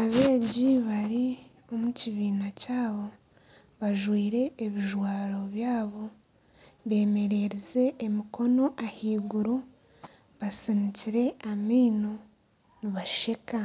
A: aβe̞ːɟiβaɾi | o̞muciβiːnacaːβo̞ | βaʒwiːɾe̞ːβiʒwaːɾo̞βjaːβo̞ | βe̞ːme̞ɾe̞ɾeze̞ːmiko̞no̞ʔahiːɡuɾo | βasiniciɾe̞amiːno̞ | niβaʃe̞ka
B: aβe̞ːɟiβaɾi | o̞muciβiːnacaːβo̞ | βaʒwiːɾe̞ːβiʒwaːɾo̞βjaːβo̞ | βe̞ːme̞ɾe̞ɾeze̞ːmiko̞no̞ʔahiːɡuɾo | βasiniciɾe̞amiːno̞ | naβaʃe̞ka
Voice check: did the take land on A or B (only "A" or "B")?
A